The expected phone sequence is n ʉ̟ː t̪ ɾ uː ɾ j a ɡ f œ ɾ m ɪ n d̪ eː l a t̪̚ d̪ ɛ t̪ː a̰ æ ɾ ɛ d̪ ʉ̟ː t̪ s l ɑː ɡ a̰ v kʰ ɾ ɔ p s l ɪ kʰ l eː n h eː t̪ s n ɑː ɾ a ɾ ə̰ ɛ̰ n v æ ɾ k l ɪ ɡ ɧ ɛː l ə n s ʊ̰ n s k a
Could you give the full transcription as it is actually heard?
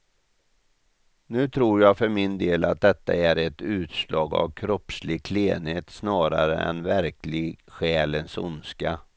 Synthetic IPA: n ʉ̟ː t̪ʰ ɾ uː ɾ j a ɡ f œ ɾ m ɪ n d̪ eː l a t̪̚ d̪ ɛ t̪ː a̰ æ ɾ ɛ t̪ ʉ̟ː t̪ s l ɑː ɡ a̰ v kʰ ɾ ɔ p s l ɪ kʰ l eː n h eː t̪ s n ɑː ɾ a ɾ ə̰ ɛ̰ n v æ ɾ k l ɪ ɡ ɧ ɛː l ə n s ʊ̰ n s k a